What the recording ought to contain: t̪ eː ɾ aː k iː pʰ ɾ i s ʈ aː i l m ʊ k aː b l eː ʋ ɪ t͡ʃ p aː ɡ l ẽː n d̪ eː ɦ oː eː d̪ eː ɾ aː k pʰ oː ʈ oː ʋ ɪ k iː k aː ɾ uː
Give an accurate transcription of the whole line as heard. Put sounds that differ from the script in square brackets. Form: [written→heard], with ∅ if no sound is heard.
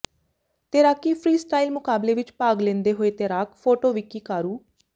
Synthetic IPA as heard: t̪ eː ɾ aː k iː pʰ ɾ [i→iː] s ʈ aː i l m ʊ k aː b l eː ʋ ɪ t͡ʃ p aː ɡ l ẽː n d̪ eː ɦ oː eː [d̪→t̪] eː ɾ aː k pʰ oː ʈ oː ʋ ɪ k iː k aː ɾ uː